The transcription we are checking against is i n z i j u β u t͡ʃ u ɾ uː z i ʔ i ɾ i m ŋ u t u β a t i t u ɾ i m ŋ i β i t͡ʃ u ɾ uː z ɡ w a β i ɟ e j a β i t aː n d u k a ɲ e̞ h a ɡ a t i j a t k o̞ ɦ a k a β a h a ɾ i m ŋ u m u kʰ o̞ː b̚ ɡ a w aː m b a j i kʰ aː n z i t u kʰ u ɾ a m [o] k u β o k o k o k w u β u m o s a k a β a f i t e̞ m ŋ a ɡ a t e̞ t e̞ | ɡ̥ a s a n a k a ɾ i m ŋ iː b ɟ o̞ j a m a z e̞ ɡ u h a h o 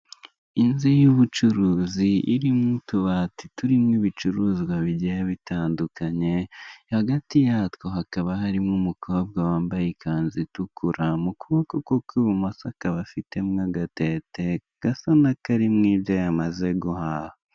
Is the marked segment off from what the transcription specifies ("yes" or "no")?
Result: yes